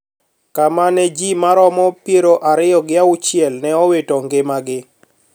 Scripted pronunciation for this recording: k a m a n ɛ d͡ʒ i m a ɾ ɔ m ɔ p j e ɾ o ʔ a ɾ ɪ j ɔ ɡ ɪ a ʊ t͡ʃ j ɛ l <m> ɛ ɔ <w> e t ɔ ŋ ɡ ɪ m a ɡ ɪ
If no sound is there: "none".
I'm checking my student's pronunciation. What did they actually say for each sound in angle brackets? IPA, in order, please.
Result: n, w

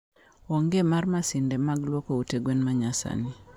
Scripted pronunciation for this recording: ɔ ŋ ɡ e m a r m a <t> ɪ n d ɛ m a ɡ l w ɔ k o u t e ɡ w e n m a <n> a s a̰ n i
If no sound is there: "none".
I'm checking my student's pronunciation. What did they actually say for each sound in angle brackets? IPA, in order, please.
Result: s, ɲ

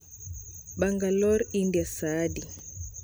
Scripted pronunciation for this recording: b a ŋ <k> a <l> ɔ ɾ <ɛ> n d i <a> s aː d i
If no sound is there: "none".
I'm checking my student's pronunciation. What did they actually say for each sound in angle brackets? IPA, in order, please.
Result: ɡ, l, i, a

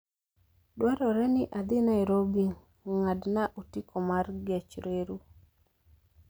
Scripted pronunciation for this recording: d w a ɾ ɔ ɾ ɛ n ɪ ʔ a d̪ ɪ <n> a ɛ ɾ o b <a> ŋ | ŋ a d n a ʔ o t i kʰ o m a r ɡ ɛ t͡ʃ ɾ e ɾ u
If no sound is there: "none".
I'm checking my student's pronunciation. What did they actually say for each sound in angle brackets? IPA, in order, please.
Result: n, i

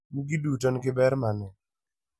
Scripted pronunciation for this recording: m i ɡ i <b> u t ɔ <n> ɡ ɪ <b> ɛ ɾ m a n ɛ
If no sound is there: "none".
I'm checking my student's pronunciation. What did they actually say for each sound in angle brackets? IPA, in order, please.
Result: d, n, b

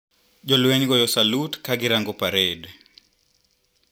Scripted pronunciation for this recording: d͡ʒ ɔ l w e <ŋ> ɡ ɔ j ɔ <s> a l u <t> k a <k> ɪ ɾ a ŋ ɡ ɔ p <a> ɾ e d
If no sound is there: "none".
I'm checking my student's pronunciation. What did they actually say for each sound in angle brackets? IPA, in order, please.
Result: ɲ, s, t, ɡ, a

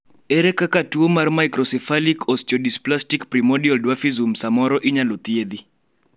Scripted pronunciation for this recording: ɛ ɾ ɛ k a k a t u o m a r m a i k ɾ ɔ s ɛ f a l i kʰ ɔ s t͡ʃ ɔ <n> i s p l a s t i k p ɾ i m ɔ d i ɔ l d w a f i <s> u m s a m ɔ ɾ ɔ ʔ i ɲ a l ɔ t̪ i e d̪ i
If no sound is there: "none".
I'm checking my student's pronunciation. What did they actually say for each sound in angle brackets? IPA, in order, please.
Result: d, z

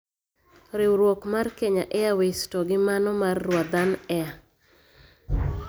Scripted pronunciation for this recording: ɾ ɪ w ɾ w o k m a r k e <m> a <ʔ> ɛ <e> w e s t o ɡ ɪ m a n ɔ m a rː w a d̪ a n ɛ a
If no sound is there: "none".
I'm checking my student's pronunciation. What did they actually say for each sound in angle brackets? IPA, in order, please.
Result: ɲ, ʔ, a

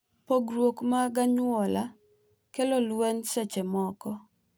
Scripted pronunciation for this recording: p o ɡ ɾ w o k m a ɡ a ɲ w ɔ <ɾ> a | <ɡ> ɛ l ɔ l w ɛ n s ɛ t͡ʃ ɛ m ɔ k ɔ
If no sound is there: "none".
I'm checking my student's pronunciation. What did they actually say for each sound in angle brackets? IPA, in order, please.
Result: l, k

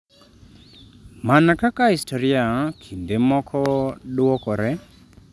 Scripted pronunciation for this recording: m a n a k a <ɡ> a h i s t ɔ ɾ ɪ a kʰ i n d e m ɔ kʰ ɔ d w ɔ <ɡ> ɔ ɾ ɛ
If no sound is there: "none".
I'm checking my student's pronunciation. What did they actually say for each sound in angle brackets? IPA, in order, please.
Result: k, k

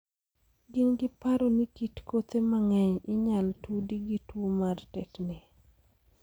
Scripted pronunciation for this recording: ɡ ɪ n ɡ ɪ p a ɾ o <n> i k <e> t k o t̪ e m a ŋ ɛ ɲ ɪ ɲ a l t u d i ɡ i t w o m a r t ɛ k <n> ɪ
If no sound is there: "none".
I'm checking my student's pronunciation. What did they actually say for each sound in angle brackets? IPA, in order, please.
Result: n, i, n

